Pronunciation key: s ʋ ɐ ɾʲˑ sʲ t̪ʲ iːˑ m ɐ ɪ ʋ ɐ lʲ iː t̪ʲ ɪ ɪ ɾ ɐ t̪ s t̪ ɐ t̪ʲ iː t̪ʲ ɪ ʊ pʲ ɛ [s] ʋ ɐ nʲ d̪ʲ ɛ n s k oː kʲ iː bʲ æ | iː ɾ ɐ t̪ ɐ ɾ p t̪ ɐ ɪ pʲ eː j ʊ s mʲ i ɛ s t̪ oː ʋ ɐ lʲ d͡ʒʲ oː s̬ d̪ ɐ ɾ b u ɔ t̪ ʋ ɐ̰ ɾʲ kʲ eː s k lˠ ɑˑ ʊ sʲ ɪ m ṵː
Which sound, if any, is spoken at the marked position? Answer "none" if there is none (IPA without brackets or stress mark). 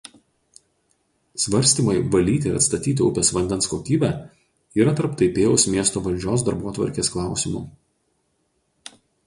s